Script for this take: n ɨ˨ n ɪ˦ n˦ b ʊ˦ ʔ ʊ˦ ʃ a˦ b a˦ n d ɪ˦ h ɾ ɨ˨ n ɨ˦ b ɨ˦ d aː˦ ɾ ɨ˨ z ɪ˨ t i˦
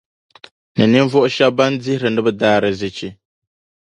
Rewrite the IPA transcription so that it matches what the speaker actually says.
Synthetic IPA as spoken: n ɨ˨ n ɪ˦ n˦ v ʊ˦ ʔ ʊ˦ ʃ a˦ b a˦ n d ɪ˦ h ɾ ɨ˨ n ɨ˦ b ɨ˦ d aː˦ ɾ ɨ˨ z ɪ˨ t͡ʃ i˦